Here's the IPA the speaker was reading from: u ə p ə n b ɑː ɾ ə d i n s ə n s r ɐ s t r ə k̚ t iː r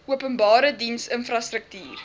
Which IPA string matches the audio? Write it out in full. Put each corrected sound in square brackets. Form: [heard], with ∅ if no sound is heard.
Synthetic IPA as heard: u ə p ə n b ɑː ɾ ə d i n s ə n [f] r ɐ s t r ə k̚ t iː r